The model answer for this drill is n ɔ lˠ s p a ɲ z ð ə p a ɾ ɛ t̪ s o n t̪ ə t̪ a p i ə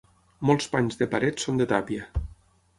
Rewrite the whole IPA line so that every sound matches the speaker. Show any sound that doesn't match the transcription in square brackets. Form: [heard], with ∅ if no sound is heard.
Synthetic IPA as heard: [m] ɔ lˠ s p a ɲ z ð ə p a ɾ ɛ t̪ s o n [d̪] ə t̪ a p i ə